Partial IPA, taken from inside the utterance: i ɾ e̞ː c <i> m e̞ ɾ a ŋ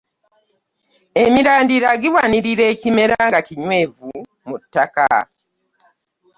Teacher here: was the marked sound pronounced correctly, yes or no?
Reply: yes